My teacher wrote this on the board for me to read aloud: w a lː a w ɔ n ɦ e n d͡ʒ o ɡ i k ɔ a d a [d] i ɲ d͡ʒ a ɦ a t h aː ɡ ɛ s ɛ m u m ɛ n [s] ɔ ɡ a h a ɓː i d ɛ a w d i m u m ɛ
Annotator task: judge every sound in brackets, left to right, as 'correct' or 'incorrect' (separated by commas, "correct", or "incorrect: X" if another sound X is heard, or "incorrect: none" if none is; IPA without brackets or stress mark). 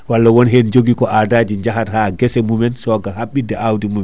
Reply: incorrect: d͡ʒ, correct